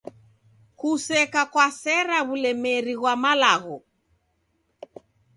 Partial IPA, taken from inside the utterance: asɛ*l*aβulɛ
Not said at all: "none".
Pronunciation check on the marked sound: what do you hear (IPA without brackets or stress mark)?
ɾ